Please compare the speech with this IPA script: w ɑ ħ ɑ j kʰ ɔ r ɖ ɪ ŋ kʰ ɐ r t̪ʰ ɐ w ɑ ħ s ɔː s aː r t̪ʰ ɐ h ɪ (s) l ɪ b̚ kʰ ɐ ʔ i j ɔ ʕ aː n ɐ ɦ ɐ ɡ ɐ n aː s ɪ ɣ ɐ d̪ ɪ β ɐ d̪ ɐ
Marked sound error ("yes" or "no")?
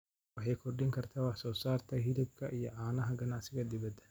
yes